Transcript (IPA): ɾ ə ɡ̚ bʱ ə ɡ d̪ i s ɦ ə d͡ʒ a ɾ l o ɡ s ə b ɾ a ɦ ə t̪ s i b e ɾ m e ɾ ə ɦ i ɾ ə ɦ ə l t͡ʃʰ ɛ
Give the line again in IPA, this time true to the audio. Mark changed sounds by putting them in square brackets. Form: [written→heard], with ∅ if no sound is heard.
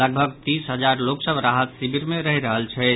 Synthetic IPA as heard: [ɾ→l] ə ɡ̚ bʱ ə ɡ [d̪→t̪] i s ɦ ə d͡ʒ a ɾ l o [ɡ→k] s ə b ɾ a ɦ ə t̪ s i b [e→i] ɾ m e ɾ ə ɦ i ɾ ə ɦ ə l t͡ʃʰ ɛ